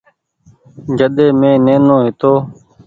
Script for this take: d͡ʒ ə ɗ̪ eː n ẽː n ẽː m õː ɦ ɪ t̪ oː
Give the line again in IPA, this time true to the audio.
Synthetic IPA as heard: d͡ʒ ə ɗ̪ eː m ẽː n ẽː n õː ɦ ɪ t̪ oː